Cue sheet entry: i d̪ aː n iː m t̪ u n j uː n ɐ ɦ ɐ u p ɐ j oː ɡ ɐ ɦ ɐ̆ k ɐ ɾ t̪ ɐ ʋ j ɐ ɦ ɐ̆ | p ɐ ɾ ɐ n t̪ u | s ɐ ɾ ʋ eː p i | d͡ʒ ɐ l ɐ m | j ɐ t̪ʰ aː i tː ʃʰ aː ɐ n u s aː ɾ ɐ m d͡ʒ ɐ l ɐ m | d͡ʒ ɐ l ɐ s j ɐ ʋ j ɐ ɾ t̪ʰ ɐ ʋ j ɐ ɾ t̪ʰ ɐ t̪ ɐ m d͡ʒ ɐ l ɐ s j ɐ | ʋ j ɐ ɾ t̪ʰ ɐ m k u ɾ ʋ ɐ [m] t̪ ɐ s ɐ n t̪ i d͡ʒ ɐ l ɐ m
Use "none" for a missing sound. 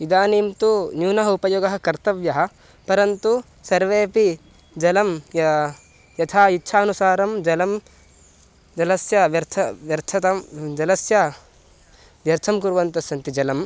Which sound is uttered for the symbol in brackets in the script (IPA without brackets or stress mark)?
n